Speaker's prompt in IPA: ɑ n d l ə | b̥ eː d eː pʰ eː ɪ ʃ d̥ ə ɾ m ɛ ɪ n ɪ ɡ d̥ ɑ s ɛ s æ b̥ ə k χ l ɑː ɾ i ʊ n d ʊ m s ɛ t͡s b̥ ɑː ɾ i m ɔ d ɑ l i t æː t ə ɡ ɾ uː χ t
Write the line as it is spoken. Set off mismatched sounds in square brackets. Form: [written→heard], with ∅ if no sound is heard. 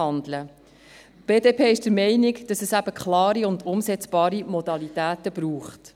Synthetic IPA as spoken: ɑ n d l ə | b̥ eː d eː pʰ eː ɪ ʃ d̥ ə ɾ m ɛ ɪ n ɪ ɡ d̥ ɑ s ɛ s æ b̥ ə k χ l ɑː ɾ i ʊ n d ʊ m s ɛ t͡s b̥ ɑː ɾ i m ɔ d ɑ l i t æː t ə [ɡ→b] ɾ uː χ t